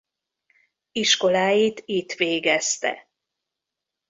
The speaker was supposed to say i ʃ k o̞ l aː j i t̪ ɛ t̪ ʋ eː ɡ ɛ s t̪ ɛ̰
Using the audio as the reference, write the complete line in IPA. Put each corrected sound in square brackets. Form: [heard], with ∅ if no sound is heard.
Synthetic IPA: i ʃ k o̞ l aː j i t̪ [i] t̪ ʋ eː ɡ ɛ s t̪ ɛ̰